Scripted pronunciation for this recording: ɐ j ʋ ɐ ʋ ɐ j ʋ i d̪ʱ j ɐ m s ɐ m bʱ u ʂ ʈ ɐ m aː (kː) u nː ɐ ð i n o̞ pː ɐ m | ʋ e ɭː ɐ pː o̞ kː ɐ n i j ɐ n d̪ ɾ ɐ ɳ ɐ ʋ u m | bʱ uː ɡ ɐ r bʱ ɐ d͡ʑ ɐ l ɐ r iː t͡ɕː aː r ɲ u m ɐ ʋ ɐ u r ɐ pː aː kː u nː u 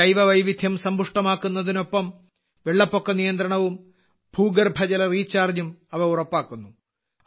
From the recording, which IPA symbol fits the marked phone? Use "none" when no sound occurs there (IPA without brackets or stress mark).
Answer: kː